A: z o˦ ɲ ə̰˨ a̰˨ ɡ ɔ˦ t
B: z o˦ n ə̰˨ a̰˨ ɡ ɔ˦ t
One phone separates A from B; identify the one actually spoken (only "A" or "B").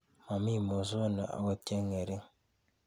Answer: B